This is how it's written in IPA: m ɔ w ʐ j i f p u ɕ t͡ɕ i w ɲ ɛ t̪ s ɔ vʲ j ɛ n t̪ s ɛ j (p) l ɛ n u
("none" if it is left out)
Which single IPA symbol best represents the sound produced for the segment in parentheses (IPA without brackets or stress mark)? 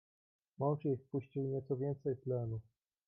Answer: p